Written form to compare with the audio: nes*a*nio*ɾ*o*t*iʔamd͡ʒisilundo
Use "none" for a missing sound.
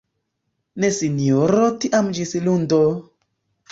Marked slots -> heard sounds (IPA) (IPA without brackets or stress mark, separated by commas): i, ɾ, t